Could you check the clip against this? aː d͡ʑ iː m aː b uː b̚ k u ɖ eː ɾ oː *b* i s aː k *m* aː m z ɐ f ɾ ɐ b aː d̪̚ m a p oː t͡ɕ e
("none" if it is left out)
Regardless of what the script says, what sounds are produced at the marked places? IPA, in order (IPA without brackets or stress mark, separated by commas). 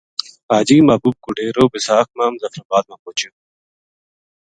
b, m